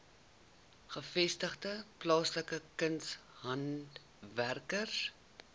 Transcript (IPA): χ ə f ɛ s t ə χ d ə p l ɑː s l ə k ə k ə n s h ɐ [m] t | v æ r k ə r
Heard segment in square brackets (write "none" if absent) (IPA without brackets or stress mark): n